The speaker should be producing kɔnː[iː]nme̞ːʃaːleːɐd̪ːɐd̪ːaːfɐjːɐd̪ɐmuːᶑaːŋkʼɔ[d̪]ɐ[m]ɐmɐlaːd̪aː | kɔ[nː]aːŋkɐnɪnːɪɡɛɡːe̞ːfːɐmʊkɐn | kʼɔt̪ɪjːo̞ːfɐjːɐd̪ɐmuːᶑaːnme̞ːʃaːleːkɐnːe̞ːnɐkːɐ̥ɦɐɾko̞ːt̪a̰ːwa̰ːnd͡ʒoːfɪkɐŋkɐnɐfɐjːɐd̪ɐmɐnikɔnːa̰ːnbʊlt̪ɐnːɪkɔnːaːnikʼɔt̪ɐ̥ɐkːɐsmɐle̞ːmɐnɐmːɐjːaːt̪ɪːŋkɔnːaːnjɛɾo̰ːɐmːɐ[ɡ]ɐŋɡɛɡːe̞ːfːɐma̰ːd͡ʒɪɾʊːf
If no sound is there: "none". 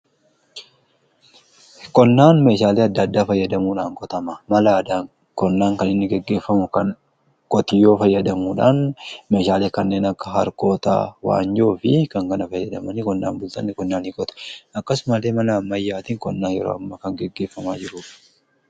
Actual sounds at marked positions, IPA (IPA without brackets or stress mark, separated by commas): aː, t̪, m, nː, k